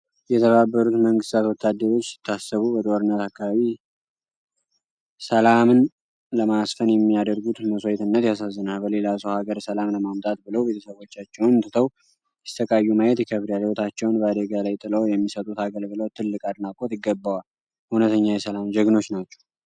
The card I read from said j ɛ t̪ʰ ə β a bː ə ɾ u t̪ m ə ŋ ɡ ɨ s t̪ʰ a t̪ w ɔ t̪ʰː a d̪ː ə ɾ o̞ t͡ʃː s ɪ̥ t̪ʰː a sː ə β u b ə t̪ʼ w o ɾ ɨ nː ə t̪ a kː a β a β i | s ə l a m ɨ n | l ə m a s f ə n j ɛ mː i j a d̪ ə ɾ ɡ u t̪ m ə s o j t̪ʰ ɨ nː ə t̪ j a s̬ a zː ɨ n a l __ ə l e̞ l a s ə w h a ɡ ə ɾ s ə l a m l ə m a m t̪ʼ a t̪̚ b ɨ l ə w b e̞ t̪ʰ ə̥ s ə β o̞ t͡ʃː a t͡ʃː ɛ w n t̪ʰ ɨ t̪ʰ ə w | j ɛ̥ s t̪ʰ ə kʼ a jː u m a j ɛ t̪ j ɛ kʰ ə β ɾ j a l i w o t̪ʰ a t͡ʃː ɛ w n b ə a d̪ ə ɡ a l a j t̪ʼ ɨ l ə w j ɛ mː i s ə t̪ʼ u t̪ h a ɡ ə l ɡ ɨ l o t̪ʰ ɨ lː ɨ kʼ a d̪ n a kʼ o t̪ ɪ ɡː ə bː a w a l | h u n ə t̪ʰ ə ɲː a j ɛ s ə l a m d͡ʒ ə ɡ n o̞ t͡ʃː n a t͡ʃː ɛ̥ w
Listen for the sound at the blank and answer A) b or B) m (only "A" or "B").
A